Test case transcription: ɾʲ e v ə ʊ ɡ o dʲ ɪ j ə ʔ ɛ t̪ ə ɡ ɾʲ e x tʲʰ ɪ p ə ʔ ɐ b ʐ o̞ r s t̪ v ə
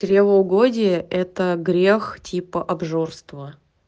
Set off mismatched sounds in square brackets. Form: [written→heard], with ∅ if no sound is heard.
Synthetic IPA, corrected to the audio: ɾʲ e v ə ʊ ɡ o dʲ ɪ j ə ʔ ɛ t̪ ə ɡ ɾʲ e x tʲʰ [ɪ→i] p ə ʔ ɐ b ʐ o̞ r s t̪ v ə